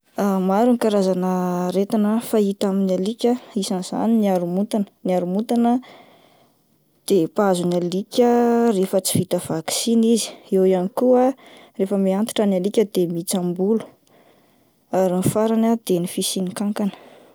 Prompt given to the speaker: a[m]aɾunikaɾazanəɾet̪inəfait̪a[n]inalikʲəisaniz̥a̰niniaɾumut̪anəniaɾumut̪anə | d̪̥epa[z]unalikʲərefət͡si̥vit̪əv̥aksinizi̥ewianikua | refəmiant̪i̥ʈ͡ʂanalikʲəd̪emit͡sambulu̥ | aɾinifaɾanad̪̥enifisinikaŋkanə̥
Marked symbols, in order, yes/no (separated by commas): yes, no, yes